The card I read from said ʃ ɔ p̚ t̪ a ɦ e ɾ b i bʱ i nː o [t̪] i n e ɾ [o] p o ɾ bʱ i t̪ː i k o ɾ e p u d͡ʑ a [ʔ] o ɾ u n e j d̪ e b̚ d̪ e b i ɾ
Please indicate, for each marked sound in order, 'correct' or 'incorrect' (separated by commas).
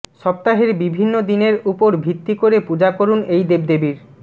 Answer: incorrect, incorrect, incorrect